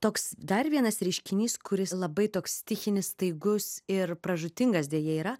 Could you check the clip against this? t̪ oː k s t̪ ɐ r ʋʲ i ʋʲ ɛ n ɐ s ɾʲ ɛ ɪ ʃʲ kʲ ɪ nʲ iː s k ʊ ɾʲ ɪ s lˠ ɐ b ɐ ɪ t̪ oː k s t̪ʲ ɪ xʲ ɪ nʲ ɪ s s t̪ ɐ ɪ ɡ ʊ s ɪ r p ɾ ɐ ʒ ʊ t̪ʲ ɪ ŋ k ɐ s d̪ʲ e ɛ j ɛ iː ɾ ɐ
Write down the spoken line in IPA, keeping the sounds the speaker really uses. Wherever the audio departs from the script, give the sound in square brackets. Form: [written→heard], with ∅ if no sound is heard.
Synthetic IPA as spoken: t̪ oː k s [t̪→d̪] ɐ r ʋʲ i [ʋʲ→∅] ɛ n ɐ s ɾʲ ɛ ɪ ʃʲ kʲ ɪ nʲ iː s k ʊ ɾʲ ɪ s lˠ ɐ b ɐ ɪ t̪ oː k s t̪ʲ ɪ xʲ ɪ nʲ ɪ s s t̪ ɐ ɪ ɡ ʊ s ɪ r p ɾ ɐ ʒ ʊ t̪ʲ ɪ ŋ [k→ɡ] ɐ s d̪ʲ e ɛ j ɛ iː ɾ ɐ